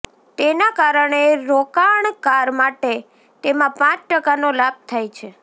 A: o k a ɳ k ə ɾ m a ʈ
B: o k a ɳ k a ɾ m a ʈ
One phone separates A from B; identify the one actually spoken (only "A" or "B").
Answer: B